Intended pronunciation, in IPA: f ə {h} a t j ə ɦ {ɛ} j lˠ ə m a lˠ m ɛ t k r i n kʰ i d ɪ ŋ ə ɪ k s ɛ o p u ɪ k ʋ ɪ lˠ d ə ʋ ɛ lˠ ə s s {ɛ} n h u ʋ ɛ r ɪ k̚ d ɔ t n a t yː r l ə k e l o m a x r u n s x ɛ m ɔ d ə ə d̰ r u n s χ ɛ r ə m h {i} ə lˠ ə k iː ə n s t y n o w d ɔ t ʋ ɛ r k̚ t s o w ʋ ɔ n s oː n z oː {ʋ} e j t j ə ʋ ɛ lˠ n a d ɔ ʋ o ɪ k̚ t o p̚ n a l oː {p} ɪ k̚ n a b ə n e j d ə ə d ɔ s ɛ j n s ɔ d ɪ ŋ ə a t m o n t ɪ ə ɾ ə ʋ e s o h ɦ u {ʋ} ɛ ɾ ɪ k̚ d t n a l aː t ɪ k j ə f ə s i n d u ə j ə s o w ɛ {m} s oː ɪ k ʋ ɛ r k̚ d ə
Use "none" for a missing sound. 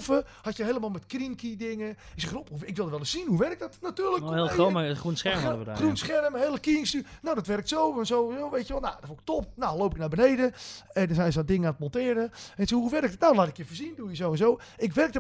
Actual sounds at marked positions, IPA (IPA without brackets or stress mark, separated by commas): h, e, i, e, ʋ, p, ʋ, n